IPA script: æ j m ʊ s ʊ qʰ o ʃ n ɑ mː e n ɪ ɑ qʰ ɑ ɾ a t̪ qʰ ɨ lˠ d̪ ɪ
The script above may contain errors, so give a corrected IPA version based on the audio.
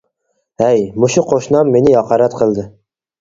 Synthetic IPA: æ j m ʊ ʃ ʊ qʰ o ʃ n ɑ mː e n ɪ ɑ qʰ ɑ ɾ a t̪ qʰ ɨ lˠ d̪ ɪ